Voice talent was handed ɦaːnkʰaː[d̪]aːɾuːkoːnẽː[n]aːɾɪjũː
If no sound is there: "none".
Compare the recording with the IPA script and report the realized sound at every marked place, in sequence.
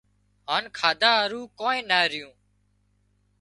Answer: d̪, n

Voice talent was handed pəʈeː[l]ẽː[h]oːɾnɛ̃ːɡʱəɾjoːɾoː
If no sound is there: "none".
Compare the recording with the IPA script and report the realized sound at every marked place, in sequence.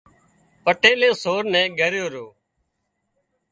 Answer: l, s

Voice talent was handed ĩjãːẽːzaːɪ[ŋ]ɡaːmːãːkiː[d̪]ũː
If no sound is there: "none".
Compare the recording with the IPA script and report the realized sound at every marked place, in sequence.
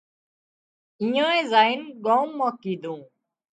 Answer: n, d̪

